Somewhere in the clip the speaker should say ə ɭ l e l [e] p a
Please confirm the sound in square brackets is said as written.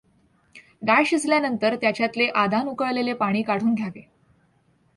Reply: yes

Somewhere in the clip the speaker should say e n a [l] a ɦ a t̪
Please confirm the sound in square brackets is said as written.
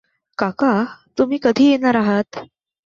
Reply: no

